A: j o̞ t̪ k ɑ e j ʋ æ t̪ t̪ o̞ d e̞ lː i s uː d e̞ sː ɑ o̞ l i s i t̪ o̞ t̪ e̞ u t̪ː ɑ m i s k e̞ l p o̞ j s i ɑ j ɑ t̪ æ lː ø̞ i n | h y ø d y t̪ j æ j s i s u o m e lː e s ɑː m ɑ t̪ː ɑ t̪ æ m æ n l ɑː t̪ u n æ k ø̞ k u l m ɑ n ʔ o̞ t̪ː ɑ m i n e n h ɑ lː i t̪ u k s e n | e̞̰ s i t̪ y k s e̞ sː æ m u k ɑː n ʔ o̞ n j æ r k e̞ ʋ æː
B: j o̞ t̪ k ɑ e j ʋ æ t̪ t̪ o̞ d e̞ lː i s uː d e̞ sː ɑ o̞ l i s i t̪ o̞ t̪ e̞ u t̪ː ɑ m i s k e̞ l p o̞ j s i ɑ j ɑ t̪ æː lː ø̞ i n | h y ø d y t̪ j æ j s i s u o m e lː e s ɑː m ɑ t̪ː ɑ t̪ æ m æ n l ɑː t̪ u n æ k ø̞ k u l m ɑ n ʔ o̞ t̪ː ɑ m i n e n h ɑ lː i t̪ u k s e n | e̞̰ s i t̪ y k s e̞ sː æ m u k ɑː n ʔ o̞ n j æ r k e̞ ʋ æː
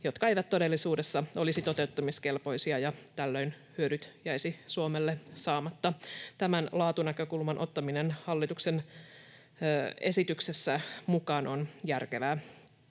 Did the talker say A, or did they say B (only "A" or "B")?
A